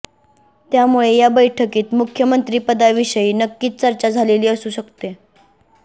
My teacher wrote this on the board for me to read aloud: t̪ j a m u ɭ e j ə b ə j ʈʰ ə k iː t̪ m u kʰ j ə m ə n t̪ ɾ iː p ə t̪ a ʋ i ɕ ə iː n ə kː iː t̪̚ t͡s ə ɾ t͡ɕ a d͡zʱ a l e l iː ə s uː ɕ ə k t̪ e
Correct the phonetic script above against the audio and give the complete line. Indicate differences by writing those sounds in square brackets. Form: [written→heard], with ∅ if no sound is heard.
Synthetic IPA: t̪ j a m u ɭ e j [ə→a] b ə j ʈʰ ə k iː t̪ m u kʰ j ə m ə n t̪ ɾ iː p ə [t̪→d̪] a ʋ i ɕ ə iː n ə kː iː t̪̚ t͡s ə ɾ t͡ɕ a d͡zʱ a l e l iː ə s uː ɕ ə k t̪ e